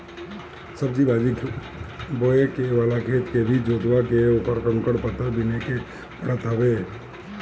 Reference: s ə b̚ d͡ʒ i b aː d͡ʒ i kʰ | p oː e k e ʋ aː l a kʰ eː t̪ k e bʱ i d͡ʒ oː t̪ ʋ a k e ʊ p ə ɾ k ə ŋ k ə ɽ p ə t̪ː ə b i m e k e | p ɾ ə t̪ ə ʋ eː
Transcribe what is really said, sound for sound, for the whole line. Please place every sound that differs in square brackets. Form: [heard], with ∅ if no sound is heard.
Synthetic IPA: s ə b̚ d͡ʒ i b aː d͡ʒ i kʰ | [b] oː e k e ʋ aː l a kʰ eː t̪ k e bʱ i d͡ʒ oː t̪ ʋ a k e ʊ p ə ɾ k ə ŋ k ə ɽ p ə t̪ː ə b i [n] e k e | p ɾ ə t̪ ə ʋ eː